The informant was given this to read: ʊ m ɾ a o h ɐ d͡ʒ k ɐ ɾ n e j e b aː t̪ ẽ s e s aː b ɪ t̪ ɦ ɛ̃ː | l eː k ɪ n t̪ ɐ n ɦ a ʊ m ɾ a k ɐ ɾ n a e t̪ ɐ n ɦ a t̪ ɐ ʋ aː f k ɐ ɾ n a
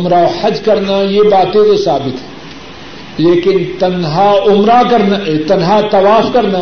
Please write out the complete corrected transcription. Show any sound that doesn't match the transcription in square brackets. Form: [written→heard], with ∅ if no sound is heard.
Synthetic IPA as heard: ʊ m ɾ a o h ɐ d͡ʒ k ɐ ɾ n [e→a] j e b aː t̪ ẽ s e s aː b ɪ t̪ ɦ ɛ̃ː | l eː k ɪ n t̪ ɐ n ɦ a ʊ m ɾ a k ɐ ɾ n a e t̪ ɐ n ɦ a t̪ ɐ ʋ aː f k ɐ ɾ n a